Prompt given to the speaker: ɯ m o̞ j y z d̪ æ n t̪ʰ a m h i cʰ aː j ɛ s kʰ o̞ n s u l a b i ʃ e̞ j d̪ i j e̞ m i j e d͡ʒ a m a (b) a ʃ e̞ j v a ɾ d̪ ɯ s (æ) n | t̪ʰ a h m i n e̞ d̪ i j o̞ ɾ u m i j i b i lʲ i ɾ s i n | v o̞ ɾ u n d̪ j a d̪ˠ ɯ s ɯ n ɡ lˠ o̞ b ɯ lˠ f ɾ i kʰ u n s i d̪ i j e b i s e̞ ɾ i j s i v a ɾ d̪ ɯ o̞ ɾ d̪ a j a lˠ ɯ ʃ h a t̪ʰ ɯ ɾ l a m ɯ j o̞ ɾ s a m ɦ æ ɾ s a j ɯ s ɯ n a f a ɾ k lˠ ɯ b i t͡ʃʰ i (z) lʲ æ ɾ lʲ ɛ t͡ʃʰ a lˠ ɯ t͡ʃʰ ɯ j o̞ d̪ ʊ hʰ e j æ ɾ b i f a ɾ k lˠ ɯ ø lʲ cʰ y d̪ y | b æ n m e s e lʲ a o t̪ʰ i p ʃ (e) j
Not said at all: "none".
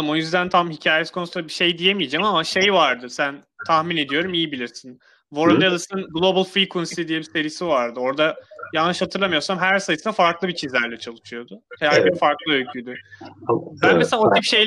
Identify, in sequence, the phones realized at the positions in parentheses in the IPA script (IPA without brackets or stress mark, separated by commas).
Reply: m, æ, z, e